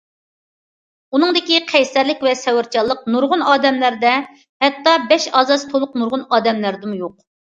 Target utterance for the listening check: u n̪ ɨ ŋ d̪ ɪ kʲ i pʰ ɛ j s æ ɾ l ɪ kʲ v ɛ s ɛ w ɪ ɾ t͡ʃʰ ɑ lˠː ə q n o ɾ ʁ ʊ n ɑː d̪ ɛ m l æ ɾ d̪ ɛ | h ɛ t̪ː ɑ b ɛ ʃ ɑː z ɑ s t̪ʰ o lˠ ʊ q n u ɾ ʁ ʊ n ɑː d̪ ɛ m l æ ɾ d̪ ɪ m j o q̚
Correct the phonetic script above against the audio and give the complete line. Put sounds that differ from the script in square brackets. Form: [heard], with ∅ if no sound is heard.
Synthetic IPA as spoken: u n̪ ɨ ŋ d̪ ɪ kʲ i [qʰ] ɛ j s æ ɾ l ɪ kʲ v ɛ s ɛ w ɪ ɾ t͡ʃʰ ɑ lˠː ə q n [u] ɾ ʁ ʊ n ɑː d̪ ɛ m l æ ɾ d̪ ɛ | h ɛ t̪ː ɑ b ɛ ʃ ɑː z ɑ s t̪ʰ o lˠ ʊ q n u ɾ ʁ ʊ n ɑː d̪ ɛ m l æ ɾ d̪ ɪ m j o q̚